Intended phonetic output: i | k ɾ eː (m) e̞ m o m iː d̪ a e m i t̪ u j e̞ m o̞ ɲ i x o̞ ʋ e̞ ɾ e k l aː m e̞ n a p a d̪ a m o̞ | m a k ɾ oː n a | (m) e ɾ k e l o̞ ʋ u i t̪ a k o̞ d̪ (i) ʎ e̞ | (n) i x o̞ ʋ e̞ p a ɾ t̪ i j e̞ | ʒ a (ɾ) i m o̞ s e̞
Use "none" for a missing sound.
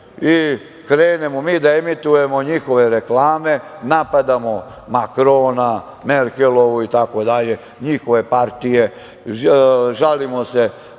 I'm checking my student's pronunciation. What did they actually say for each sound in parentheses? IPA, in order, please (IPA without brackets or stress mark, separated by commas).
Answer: n, m, a, ɲ, l